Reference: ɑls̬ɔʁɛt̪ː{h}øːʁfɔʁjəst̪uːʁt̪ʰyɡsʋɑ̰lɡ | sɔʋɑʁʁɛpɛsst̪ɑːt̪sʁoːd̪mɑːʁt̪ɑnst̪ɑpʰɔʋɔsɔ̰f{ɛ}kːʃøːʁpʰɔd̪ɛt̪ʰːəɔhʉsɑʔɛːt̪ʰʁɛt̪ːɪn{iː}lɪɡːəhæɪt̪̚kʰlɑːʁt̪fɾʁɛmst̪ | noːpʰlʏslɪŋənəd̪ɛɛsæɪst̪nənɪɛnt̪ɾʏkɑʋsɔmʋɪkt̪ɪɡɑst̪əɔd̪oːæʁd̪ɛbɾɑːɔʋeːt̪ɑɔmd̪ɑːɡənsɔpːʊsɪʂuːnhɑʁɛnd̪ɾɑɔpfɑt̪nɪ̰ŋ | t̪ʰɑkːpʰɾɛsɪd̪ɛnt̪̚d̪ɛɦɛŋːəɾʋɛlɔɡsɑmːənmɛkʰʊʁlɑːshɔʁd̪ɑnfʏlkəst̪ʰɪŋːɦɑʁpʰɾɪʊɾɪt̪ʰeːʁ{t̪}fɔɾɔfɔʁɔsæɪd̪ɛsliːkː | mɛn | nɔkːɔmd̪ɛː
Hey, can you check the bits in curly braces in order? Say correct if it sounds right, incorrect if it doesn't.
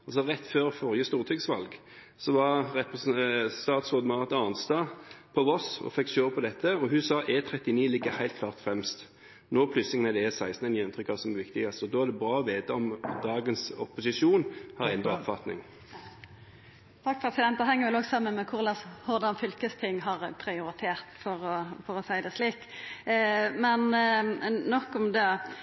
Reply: incorrect, correct, correct, correct

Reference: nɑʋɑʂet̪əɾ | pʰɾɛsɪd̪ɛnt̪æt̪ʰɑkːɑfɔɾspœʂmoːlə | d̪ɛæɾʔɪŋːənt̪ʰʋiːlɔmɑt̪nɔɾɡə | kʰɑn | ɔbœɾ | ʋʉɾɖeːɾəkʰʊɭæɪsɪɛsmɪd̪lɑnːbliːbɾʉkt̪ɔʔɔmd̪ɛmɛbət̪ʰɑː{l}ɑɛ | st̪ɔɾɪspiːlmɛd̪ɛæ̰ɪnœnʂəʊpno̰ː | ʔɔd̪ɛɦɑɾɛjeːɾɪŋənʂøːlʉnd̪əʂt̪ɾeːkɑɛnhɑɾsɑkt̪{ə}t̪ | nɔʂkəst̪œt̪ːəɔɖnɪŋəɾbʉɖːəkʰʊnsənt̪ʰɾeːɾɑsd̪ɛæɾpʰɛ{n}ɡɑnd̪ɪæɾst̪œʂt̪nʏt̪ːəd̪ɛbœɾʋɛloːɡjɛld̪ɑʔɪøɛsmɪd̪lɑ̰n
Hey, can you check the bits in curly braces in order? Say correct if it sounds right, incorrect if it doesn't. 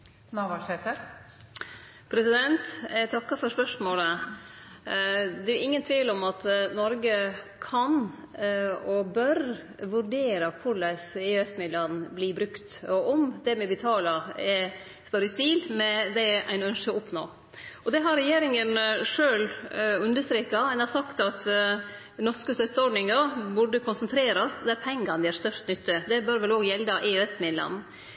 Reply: correct, incorrect, incorrect

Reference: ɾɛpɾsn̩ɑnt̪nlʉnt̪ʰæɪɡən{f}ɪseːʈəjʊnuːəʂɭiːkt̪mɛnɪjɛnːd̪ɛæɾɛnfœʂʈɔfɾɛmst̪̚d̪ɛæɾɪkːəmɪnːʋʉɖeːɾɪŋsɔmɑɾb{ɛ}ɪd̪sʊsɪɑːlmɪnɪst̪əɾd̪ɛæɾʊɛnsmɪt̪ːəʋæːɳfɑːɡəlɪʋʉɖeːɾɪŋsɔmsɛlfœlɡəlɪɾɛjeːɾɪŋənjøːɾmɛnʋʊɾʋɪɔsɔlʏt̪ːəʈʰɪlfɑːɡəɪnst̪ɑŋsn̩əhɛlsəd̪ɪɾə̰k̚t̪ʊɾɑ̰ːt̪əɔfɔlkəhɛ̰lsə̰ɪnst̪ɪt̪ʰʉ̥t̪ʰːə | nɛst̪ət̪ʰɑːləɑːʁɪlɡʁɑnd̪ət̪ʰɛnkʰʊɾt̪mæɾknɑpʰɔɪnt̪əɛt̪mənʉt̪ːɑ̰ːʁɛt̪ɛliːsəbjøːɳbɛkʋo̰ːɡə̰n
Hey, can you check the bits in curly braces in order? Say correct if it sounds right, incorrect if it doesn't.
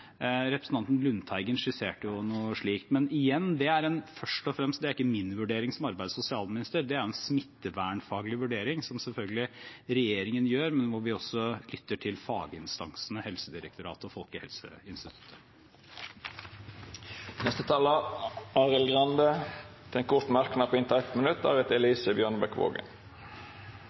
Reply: incorrect, incorrect

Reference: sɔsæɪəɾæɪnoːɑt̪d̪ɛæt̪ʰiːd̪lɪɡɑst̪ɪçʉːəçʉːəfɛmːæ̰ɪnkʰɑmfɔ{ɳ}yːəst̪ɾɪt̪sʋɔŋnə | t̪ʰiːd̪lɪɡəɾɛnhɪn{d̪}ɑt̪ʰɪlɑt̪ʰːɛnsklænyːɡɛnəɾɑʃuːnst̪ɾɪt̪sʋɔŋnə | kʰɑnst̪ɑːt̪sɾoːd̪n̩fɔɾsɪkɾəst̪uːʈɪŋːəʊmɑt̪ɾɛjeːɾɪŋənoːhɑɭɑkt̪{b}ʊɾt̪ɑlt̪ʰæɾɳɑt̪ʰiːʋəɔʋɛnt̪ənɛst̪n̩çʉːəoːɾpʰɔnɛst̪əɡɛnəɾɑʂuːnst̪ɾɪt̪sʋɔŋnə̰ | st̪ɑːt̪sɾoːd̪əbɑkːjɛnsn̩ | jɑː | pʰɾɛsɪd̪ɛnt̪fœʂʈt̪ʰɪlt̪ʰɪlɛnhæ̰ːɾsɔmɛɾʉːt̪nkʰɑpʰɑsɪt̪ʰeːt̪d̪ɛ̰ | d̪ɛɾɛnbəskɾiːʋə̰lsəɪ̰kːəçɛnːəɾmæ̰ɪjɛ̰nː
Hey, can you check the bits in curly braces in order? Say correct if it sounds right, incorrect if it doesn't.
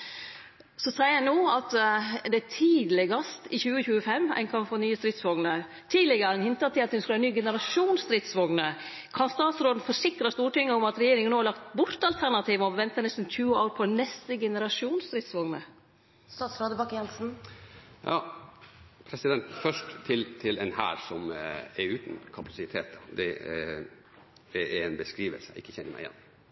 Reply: incorrect, incorrect, correct

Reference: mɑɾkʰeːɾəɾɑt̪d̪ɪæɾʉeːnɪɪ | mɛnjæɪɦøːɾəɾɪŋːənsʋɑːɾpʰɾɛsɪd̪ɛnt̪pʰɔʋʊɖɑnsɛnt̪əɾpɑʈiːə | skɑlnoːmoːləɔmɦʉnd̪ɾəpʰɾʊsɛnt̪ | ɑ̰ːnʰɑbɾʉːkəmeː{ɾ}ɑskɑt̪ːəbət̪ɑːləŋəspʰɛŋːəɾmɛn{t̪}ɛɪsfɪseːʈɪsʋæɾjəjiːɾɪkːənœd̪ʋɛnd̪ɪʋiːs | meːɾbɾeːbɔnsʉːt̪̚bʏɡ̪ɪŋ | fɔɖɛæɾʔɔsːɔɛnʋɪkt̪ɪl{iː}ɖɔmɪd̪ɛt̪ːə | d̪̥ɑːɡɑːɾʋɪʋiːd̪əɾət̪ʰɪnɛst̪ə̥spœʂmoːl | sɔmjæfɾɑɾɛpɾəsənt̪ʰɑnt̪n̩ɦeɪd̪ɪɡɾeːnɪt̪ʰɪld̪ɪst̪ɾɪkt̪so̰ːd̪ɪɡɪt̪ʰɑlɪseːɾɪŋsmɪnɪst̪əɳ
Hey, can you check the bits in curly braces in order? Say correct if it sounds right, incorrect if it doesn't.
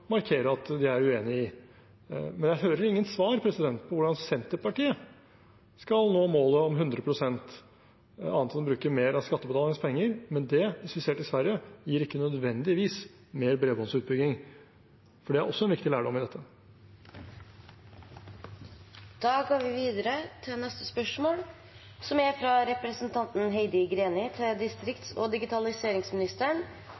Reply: correct, incorrect, incorrect

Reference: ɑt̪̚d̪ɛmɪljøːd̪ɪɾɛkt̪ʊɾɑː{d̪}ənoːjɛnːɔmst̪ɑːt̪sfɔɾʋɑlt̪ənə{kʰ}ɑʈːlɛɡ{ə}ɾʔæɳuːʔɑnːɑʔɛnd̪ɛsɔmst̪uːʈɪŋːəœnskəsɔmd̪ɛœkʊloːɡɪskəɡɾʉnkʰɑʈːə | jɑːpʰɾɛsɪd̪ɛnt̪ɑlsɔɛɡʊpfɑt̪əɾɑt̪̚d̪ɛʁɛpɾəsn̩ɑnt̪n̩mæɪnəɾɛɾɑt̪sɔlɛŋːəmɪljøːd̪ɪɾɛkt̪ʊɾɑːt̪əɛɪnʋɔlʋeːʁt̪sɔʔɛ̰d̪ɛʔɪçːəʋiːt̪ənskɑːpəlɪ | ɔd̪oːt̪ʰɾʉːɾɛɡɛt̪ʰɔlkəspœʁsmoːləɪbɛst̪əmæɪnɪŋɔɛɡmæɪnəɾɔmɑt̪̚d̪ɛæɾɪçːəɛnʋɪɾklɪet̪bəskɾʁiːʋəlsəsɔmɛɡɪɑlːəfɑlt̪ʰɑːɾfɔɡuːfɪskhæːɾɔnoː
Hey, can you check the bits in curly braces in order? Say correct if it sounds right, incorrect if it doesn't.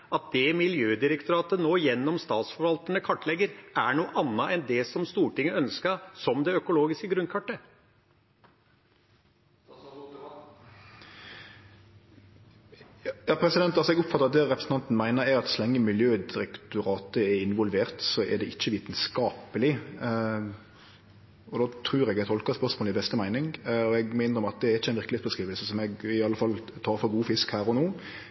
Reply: incorrect, correct, correct

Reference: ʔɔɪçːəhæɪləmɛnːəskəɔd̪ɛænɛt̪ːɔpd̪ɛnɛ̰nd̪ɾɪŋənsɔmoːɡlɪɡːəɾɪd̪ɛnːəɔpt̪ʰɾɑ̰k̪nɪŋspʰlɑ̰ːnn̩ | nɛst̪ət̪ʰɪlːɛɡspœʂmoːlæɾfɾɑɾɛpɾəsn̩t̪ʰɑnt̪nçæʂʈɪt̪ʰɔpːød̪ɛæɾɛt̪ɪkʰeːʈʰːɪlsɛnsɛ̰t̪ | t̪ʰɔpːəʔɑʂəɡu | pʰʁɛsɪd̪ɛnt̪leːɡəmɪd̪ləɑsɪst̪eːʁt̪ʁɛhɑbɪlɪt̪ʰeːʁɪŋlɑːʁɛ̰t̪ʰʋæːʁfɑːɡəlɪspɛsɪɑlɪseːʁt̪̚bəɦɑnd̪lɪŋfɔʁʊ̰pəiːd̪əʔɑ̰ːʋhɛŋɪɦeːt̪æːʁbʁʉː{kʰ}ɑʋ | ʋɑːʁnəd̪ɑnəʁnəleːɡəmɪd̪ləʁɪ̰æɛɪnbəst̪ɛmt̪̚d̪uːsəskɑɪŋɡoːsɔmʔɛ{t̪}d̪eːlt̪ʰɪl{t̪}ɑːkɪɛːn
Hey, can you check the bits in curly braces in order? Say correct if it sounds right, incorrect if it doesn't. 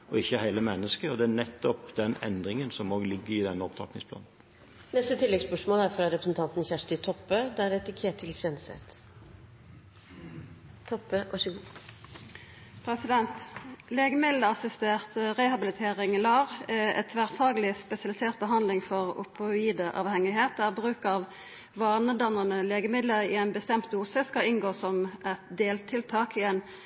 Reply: incorrect, correct, incorrect

